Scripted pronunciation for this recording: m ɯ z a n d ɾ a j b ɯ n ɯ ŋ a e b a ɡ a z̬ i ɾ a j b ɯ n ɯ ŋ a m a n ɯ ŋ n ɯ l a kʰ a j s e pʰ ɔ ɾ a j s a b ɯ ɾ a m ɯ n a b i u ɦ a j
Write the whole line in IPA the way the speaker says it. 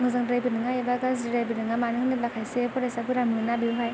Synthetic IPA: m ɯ z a ŋ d ɾ a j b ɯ n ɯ ŋ a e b a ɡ a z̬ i ɾ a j b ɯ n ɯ ŋ a m a n ɯ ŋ n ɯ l a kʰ a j s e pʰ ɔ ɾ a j s a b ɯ ɾ a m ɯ n a b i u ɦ a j